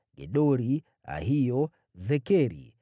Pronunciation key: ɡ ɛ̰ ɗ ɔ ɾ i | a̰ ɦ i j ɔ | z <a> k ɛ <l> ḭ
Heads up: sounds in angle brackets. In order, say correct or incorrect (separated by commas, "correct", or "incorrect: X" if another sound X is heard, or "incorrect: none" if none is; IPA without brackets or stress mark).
incorrect: ɛ, incorrect: ɾ